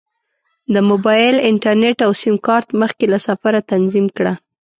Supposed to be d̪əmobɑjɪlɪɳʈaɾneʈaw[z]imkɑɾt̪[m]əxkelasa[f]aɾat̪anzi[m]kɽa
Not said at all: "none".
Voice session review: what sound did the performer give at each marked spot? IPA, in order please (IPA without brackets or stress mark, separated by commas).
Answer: s, m, f, m